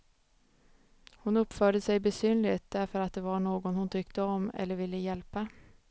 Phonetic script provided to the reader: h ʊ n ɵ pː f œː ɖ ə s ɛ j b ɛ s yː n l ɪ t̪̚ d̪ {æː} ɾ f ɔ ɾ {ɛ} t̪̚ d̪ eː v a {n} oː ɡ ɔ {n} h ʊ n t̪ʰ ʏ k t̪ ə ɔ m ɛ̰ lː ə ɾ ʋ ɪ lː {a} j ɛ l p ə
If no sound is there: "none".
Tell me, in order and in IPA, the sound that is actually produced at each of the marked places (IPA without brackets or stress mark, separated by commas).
æ, a, ɳ, n, ə